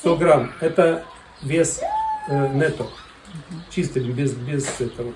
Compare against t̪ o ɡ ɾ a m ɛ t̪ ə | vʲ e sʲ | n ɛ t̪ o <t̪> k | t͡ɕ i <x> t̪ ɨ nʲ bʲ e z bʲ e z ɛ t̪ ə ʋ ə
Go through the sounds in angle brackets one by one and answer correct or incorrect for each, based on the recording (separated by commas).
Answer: incorrect, incorrect